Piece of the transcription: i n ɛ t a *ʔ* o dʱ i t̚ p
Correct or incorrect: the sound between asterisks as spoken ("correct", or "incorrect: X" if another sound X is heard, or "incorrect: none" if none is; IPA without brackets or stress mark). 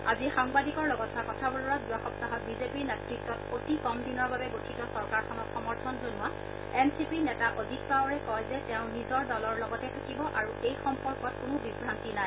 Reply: correct